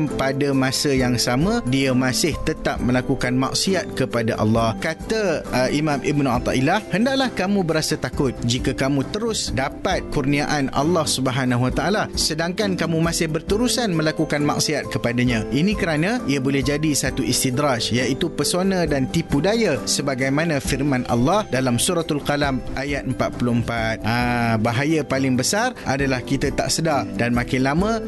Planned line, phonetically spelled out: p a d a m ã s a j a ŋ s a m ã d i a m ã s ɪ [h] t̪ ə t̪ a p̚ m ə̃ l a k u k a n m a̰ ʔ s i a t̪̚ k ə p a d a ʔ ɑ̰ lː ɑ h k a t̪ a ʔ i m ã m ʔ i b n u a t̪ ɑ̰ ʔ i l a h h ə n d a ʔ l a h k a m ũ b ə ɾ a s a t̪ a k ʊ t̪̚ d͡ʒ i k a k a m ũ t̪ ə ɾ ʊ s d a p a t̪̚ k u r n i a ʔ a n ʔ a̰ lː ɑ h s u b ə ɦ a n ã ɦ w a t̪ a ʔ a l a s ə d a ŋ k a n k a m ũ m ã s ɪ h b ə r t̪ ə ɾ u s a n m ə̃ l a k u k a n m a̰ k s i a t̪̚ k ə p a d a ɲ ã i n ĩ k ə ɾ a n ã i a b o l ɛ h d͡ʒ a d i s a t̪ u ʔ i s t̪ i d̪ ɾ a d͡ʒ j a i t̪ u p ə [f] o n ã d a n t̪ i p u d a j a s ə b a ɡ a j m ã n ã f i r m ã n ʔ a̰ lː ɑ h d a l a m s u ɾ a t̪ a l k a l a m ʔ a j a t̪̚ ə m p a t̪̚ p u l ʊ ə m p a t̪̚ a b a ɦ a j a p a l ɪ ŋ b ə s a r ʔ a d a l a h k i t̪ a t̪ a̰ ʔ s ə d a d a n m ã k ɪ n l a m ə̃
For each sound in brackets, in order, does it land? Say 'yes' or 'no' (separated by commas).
yes, no